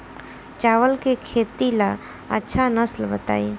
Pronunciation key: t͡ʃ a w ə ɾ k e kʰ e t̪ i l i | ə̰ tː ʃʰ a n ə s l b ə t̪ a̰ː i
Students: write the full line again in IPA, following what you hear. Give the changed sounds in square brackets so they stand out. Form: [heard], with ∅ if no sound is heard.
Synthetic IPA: t͡ʃ a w ə [l] k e kʰ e t̪ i l [a] | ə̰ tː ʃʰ a n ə s l b ə t̪ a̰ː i